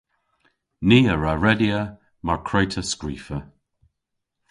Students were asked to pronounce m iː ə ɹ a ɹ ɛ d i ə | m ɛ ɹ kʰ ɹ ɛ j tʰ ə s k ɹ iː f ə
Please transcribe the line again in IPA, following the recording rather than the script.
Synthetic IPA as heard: n iː ə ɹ a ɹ ɛ d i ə | m a ɹ kʰ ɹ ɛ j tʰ ə s k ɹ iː f ə